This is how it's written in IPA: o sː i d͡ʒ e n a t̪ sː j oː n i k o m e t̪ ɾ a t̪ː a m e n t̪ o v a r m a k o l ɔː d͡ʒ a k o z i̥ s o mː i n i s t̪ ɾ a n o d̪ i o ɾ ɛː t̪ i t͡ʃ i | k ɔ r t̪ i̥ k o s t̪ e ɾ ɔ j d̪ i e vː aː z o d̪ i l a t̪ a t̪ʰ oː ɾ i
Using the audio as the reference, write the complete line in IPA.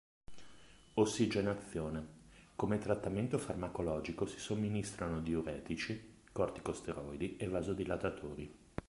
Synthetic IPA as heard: o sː i d͡ʒ e n a t̪ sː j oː n e k o m e t̪ ɾ a t̪ː a m e n t̪ o f a r m a k o l ɔː d͡ʒ i k o s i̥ s o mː i n i s t̪ ɾ a n o d̪ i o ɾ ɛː t̪ i t͡ʃ i | k ɔ r t̪ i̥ k o s t̪ e ɾ ɔ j d̪ i e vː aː z o d̪ i l a t̪ a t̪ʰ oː ɾ i